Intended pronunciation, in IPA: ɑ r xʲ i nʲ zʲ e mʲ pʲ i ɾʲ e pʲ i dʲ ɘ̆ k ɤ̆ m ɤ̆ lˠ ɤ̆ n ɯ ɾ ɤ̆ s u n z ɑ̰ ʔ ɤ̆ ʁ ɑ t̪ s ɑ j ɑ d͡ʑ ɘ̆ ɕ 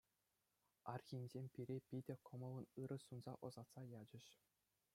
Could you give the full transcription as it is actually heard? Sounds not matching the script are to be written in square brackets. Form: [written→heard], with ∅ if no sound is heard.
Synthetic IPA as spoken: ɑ r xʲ i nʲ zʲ e mʲ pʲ i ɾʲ e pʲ i dʲ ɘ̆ k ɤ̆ m ɤ̆ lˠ ɤ̆ n ɯ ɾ ɤ̆ s u n z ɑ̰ ʔ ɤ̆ [ʁ→z] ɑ t̪ s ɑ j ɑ d͡ʑ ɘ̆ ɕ